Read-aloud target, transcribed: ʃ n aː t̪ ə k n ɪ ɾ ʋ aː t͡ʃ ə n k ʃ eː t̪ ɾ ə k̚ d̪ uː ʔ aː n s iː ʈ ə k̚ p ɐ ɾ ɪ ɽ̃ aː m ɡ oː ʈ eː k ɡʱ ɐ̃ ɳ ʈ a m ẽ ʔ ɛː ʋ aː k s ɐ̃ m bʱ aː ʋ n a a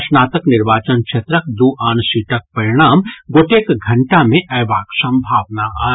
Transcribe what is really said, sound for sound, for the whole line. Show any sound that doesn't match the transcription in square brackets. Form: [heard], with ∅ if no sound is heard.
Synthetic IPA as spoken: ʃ n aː t̪ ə k n ɪ ɾ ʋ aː t͡ʃ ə n k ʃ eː t̪ ɾ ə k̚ d̪ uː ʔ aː n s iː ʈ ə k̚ p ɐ ɾ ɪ ɽ̃ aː m ɡ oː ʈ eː k ɡʱ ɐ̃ ɳ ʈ a m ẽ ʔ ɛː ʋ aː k s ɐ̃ m bʱ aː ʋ n a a